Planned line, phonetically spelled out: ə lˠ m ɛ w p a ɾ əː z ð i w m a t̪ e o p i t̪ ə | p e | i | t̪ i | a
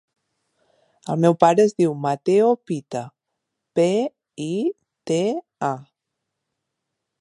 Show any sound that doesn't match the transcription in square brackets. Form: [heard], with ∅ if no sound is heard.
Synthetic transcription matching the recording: ə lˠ m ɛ w p a ɾ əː z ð i w m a t̪ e o p i t̪ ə | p e | i | t̪ [e] | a

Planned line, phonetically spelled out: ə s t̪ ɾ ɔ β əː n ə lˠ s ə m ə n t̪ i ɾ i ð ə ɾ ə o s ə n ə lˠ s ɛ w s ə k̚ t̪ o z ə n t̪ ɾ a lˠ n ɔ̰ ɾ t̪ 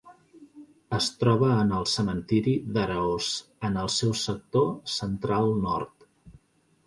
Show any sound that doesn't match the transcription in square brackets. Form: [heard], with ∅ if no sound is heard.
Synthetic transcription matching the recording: ə s t̪ ɾ ɔ β əː n ə lˠ s ə m ə n t̪ i ɾ i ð ə ɾ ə o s ə n ə lˠ s ɛ w s ə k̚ t̪ o [s] ə n t̪ ɾ a lˠ n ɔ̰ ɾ t̪

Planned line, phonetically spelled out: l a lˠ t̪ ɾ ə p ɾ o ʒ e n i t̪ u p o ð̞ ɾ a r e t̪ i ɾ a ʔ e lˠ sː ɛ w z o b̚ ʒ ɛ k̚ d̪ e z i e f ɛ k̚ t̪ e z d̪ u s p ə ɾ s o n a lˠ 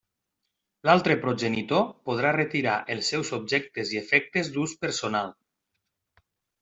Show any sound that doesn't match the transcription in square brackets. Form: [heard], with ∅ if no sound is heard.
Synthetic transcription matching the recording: l a lˠ t̪ ɾ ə p ɾ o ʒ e n i t̪ [o] p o ð̞ ɾ a r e t̪ i ɾ a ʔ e lˠ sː ɛ w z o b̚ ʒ ɛ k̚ [t̪] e z i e f ɛ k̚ t̪ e z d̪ u s p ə ɾ s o n a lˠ

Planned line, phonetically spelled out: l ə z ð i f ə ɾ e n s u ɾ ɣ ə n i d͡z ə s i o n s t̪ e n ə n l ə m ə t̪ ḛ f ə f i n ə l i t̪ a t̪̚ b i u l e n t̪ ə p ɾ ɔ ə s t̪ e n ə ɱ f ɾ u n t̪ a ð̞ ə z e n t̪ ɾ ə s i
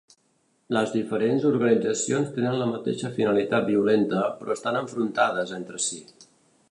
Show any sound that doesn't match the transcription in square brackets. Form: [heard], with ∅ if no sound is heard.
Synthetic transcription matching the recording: l ə z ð i f ə ɾ e n [z] u ɾ ɣ ə n i d͡z ə s i o n s t̪ e n ə n l ə m ə t̪ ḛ [ʃ] ə f i n ə l i t̪ a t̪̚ b i u l e n t̪ ə p ɾ ɔ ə s t̪ [a] n ə ɱ f ɾ u n t̪ a ð̞ ə z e n t̪ ɾ ə s i

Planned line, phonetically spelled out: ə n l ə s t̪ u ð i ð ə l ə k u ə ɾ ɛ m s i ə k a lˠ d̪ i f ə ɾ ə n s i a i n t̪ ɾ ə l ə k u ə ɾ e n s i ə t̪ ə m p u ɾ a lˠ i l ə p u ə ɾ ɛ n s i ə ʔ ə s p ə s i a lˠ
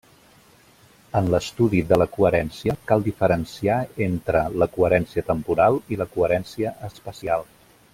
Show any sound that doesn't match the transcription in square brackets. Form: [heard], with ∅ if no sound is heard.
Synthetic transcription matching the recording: ə n l ə s t̪ u ð i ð ə l ə k u ə ɾ ɛ [n] s i ə k a lˠ d̪ i f ə ɾ ə n s i a [e] n t̪ ɾ ə l ə k u ə ɾ [ɛ] n s i ə t̪ ə m p u ɾ a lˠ i l ə [k] u ə ɾ ɛ n s i ə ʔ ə s p ə s i a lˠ

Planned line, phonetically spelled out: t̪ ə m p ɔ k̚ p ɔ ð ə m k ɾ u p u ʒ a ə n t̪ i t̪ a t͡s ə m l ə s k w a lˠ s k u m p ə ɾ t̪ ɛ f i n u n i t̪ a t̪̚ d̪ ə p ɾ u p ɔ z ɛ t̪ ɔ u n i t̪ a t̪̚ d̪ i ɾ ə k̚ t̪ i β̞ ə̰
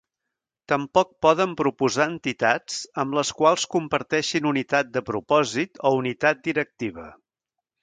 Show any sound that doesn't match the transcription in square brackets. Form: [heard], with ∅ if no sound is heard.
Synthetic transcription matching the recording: t̪ ə m p ɔ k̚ p ɔ ð ə m [p] ɾ u p u [z] a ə n t̪ i t̪ a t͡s ə m l ə s k w a lˠ s k u m p ə ɾ t̪ ɛ [ʃ] i n u n i t̪ a t̪̚ d̪ ə p ɾ u p ɔ z [i] t̪ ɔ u n i t̪ a t̪̚ d̪ i ɾ ə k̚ t̪ i β̞ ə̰

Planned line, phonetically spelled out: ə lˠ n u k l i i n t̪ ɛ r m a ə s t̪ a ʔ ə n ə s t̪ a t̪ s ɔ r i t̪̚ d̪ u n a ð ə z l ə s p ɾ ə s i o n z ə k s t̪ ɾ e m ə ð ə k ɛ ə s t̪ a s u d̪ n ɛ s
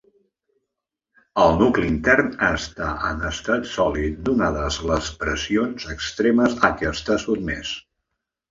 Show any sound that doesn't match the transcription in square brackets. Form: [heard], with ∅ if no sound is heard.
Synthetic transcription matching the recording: ə lˠ n u k l i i n t̪ ɛ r [n] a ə s t̪ a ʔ ə n ə s t̪ a t̪ s ɔ [l] i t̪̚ d̪ u n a ð ə z l ə s p ɾ ə s i o n z ə k s t̪ ɾ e m ə [z] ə k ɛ ə s t̪ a s u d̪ [m] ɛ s

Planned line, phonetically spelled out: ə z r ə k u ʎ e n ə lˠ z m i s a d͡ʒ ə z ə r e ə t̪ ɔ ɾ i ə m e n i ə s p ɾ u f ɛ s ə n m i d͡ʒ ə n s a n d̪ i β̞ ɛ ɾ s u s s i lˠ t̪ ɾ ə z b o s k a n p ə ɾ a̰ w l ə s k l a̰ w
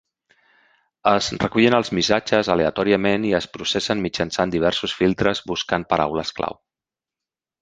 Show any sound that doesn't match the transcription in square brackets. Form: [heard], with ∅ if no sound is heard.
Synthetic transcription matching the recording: ə z r ə k u ʎ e n ə lˠ z m i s a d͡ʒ ə z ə [l] e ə t̪ ɔ ɾ i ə m e n i ə s p ɾ u [s] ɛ s ə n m i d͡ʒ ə n s a n d̪ i β̞ ɛ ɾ s u s [f] i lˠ t̪ ɾ ə z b [u] s k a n p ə ɾ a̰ w l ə s k l a̰ w

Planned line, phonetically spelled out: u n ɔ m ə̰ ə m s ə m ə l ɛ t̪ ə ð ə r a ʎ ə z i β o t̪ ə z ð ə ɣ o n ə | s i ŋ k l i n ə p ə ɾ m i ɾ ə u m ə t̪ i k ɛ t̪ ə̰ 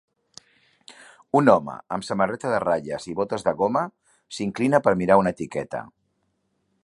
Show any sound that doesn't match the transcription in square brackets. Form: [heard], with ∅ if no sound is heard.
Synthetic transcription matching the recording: u n ɔ m ə̰ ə m s ə m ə [r] ɛ t̪ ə ð ə r a ʎ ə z i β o t̪ ə z ð ə ɣ o [m] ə | s i ŋ k l i n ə p ə ɾ m i ɾ [a] u [n] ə t̪ i k ɛ t̪ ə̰

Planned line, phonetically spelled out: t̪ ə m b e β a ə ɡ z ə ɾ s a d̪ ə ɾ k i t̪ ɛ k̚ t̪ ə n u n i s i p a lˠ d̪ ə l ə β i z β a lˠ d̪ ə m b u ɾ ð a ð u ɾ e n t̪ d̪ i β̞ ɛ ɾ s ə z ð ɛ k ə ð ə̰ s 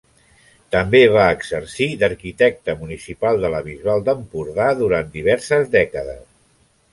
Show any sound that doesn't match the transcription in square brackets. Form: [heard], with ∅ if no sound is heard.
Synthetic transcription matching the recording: t̪ ə m b e β a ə ɡ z ə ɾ s [i] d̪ ə ɾ k i t̪ ɛ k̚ t̪ ə [m] u n i s i p a lˠ d̪ ə l ə β i z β a lˠ d̪ ə m [p] u ɾ ð a ð u ɾ [a] n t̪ d̪ i β̞ ɛ ɾ s ə z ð ɛ k ə ð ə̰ s

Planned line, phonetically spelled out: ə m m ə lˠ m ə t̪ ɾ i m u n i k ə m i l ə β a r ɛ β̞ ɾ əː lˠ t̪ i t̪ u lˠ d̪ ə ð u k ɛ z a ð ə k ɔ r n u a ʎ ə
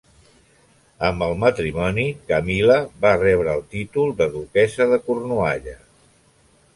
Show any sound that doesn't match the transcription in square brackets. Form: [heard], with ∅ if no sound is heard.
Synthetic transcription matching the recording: ə m [b] ə lˠ m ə t̪ ɾ i m [ɔ] n i k ə m i l ə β a r ɛ β̞ ɾ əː lˠ t̪ i t̪ u lˠ d̪ ə ð u k ɛ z [ə] ð ə k [u] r n u a ʎ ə

